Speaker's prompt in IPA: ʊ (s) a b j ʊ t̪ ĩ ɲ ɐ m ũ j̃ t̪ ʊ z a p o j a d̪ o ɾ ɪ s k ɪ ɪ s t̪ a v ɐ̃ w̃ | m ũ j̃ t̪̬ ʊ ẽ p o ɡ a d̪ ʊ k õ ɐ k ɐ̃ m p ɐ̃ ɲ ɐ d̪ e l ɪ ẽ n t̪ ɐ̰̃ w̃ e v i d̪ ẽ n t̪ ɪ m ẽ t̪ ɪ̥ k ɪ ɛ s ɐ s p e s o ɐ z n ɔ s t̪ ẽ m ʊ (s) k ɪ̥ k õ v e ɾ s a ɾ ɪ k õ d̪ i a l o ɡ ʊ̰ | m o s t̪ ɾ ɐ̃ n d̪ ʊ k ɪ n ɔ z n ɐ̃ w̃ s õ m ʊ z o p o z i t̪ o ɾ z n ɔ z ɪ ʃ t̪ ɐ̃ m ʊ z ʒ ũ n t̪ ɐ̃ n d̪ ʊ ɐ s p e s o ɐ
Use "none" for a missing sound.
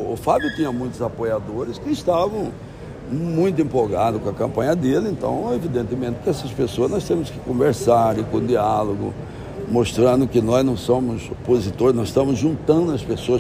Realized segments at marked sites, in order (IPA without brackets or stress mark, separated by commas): f, s